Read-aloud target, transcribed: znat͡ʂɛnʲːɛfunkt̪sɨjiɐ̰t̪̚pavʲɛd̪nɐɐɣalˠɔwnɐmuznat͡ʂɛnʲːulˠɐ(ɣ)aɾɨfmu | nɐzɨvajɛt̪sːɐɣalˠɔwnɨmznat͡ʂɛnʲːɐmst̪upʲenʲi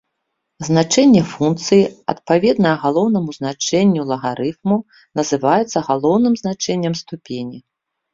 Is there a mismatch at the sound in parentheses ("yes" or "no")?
no